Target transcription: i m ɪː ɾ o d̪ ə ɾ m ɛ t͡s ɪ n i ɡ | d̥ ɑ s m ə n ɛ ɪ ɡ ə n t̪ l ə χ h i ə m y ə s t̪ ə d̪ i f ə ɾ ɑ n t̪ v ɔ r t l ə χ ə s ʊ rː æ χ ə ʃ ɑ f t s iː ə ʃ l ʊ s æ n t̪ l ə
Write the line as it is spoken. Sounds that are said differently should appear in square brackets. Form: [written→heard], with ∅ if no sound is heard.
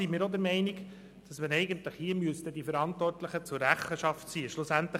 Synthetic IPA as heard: i m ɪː ɾ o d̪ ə ɾ m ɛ [t͡s→∅] ɪ n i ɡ | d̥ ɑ s m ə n ɛ ɪ ɡ ə n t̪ l ə χ h i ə m y ə s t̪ ə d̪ i f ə ɾ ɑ n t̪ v ɔ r t l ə χ ə [s→t͡s] ʊ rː æ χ ə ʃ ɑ f t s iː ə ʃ l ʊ s æ n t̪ l ə